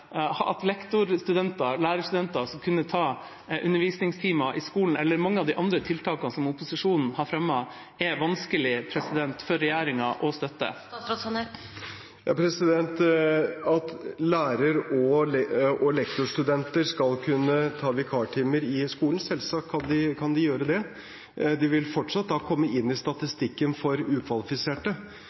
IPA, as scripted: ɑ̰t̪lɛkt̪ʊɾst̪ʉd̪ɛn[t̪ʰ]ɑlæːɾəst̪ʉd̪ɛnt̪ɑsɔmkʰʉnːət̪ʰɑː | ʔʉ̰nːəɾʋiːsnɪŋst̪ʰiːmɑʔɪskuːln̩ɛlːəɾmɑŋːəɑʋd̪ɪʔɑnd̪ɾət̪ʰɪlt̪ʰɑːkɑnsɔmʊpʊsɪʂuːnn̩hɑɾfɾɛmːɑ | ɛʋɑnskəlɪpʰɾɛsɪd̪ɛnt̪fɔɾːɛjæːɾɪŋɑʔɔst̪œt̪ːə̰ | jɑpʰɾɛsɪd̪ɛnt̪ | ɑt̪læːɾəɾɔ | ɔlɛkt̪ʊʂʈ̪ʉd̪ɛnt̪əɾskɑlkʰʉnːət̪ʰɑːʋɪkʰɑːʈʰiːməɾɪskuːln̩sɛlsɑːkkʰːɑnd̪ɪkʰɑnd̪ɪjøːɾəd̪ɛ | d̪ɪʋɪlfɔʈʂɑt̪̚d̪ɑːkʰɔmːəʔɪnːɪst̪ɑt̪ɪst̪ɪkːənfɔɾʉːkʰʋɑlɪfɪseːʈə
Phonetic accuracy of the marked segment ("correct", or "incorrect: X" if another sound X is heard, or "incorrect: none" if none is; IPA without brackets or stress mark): incorrect: t̪